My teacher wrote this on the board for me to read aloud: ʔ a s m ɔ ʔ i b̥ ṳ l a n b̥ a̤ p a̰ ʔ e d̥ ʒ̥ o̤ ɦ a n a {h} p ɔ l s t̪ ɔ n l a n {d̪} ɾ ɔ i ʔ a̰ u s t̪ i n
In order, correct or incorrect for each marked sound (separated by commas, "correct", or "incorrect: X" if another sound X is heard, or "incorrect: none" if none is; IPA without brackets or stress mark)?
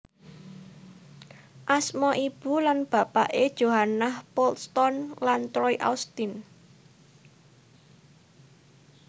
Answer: correct, incorrect: t̪